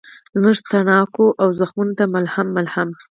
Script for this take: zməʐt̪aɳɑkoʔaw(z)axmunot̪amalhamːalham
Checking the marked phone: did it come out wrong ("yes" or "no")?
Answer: no